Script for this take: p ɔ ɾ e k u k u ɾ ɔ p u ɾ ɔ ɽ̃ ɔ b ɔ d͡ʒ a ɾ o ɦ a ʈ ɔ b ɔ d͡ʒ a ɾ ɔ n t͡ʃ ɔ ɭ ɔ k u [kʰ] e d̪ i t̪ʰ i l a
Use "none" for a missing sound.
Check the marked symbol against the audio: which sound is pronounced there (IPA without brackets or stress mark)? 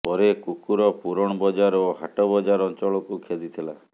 kʰ